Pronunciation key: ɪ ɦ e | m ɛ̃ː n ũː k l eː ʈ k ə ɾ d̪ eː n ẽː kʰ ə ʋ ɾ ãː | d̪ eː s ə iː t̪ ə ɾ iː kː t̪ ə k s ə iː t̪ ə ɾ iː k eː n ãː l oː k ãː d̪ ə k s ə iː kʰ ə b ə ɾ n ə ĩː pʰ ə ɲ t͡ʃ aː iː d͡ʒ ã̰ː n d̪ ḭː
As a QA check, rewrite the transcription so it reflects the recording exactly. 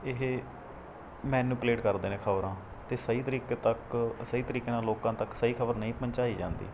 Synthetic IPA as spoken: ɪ ɦ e | m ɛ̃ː n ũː p l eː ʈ k ə ɾ d̪ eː n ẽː kʰ ə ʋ ɾ ãː | t̪ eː s ə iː t̪ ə ɾ iː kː t̪ ə k s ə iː t̪ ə ɾ iː k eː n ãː l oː k ãː t̪ ə k s ə iː kʰ ə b ə ɾ n ə ĩː p ə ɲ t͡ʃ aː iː d͡ʒ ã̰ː n d̪ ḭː